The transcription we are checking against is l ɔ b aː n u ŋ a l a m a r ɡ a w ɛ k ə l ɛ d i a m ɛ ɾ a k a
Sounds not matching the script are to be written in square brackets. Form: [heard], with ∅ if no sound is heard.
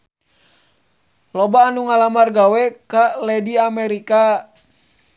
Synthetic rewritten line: l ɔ b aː n u ŋ a l a m a r ɡ a w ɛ k [a] l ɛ d i a m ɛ ɾ [i] k a